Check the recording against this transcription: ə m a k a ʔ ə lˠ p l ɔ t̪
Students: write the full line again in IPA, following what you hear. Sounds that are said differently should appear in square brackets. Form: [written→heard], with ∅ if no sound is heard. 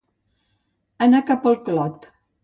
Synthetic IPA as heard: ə [m→n] a k a [ʔ→p] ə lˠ [p→k] l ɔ t̪